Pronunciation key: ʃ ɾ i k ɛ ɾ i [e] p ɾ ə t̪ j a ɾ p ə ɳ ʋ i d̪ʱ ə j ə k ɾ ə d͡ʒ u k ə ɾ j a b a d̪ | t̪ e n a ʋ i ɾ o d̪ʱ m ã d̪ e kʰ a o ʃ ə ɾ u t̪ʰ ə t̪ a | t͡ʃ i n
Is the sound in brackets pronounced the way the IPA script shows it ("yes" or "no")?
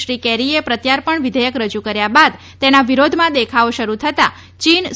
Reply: yes